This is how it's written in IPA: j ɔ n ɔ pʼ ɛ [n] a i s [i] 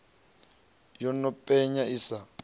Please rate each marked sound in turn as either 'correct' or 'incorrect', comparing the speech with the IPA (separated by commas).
incorrect, incorrect